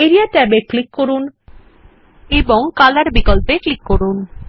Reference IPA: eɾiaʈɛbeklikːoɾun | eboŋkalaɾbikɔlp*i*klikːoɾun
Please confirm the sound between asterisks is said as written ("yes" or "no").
no